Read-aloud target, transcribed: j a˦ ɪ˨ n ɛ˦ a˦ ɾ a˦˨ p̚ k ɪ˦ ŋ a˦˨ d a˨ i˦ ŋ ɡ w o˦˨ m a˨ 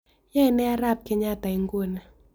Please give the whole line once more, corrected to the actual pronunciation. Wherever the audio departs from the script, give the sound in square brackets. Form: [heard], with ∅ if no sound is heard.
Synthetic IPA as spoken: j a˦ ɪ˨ n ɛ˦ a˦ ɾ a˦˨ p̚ k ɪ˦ [ɲ] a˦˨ [t] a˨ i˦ ŋ ɡ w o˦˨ [n] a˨